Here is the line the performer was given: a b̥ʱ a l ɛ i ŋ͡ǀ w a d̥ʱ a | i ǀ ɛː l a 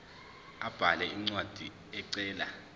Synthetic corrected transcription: a b̥ʱ a l ɛ i ŋ͡ǀ w a d̥ʱ i | ɛ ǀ ɛː l a